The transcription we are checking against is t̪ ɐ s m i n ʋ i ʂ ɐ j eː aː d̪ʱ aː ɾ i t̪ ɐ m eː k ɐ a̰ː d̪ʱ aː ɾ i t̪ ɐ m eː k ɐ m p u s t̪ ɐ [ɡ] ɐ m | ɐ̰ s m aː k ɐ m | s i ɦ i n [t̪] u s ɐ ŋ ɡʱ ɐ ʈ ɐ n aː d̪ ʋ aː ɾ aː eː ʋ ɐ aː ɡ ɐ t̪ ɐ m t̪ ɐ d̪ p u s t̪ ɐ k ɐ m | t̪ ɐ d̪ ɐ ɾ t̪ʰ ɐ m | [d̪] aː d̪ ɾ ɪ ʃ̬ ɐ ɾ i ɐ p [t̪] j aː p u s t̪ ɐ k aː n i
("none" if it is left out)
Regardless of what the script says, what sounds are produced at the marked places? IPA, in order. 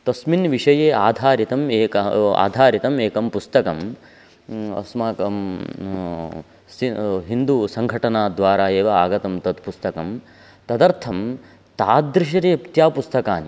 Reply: k, d̪, t̪, t̪

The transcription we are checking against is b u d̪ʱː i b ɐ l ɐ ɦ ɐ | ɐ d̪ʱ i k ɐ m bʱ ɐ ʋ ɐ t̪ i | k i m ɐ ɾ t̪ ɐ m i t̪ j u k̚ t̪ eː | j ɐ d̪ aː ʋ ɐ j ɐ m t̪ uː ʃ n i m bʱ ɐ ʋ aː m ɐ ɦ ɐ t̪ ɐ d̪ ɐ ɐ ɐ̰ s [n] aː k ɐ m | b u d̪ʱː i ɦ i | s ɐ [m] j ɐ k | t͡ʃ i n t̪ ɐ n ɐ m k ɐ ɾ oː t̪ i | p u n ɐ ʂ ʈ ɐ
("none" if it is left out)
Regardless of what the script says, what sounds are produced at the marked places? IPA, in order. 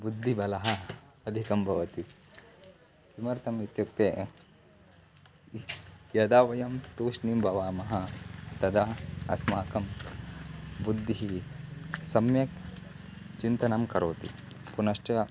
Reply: m, m

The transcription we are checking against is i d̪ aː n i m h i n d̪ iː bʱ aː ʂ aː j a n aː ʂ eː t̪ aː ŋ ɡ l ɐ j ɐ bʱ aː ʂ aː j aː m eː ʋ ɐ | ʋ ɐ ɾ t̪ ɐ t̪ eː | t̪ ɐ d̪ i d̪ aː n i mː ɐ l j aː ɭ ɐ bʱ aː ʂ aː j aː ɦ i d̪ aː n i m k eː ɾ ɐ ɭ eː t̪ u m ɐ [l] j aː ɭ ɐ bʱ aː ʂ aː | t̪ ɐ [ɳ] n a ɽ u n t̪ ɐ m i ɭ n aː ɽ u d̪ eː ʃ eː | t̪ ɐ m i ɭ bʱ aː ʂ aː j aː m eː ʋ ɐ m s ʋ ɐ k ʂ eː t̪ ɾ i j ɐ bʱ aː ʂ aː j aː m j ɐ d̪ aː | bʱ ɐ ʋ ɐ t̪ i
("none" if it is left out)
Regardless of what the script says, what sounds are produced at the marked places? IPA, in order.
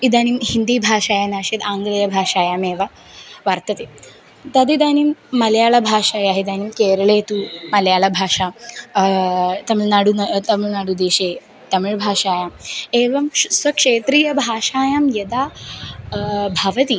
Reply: l, m

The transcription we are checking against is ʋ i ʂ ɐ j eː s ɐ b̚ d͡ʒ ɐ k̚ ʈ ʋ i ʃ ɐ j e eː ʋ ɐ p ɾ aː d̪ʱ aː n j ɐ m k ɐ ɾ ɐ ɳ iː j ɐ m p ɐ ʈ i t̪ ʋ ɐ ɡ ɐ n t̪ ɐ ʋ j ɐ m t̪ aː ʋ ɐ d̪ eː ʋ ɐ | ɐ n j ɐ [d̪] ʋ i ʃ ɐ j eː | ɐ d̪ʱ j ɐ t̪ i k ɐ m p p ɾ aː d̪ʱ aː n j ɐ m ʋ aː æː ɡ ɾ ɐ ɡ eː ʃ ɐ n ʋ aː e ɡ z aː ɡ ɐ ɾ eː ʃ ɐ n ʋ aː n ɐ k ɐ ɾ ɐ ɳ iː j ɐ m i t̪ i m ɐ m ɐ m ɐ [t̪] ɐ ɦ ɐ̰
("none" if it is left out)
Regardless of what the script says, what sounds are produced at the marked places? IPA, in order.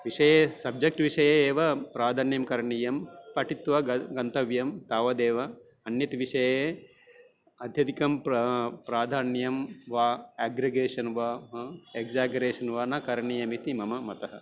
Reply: t̪, t̪

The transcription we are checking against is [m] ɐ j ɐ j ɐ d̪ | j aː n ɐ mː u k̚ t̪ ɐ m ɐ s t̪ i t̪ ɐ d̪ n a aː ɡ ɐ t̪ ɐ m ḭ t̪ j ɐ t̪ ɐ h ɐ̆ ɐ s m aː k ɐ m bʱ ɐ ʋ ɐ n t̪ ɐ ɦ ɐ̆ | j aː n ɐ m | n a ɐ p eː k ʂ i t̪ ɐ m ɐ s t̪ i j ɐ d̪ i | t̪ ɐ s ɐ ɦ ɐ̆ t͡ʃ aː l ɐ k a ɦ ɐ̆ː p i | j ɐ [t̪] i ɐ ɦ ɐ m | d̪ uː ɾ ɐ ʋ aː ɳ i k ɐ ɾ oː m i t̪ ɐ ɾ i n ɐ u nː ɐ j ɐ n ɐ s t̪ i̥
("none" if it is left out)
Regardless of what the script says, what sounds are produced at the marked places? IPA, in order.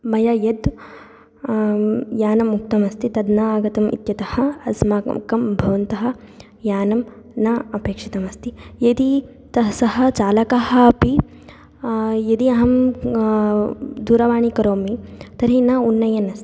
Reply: m, d̪

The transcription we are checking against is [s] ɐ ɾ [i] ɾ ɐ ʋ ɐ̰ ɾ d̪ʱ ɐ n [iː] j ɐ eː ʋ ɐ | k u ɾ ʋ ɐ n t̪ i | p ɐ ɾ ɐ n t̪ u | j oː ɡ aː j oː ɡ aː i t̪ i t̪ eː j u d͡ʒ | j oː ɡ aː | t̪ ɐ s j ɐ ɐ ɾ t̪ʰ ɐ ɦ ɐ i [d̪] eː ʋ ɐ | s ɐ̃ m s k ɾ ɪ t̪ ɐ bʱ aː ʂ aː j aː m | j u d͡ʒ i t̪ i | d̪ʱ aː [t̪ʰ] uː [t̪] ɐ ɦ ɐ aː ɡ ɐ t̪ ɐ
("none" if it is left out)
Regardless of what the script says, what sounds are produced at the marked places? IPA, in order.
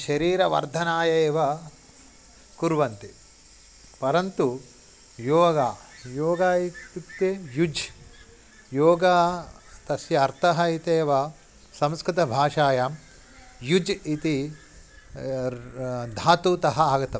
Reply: ʃ, iː, aː, t̪, t̪, t̪

